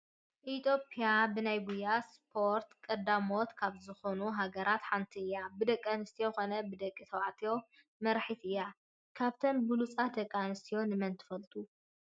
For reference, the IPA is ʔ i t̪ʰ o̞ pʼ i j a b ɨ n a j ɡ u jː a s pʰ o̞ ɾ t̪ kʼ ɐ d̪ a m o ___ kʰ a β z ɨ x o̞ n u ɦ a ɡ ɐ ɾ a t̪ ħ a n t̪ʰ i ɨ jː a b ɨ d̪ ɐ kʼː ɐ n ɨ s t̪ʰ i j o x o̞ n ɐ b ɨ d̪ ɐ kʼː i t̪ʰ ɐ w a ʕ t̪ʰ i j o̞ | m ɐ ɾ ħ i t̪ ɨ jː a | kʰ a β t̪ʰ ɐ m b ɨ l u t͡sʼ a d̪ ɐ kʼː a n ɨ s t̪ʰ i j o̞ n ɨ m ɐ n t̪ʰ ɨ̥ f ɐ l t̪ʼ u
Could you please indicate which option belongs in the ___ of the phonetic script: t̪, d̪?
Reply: t̪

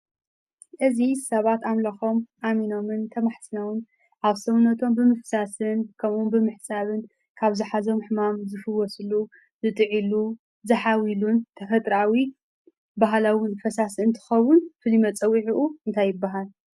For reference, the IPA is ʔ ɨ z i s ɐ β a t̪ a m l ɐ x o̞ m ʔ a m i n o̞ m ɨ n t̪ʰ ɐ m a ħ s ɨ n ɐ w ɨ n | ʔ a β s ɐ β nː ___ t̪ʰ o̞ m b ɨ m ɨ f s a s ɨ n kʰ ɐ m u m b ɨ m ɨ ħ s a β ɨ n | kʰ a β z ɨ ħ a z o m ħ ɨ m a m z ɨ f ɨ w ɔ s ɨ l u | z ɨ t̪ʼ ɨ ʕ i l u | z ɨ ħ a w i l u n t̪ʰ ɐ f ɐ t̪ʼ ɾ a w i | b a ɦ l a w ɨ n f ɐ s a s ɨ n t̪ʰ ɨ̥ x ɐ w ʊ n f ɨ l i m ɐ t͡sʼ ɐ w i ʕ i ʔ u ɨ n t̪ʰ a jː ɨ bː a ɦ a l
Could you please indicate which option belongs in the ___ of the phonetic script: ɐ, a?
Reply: ɐ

